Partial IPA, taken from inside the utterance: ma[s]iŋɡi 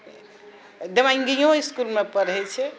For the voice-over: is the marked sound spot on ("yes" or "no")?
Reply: no